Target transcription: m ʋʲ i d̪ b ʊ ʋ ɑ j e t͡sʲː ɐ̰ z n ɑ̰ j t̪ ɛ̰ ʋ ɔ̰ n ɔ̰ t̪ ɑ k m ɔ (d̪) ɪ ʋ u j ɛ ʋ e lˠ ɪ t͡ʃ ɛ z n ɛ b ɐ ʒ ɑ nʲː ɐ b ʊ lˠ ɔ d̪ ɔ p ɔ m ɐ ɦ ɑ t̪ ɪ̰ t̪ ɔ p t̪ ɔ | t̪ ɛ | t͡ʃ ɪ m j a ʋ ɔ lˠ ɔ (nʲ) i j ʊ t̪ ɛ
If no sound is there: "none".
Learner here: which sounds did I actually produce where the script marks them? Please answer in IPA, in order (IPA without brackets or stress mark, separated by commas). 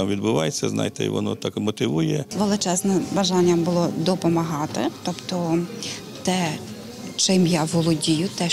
t̪, dʲ